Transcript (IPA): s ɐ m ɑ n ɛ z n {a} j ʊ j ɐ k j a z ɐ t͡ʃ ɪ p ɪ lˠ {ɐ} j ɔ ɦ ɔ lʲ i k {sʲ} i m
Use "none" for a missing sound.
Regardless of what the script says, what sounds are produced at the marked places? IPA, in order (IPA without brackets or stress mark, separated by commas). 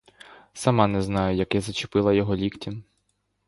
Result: ɑ, ɐ, tʲ